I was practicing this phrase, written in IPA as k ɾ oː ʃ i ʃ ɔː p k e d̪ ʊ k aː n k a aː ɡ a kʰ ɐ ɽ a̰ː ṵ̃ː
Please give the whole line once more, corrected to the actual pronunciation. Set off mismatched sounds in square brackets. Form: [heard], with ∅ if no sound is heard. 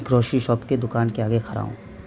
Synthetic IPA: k ɾ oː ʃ i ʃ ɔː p k e d̪ ʊ k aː n k [e] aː ɡ [e] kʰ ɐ [ɾ] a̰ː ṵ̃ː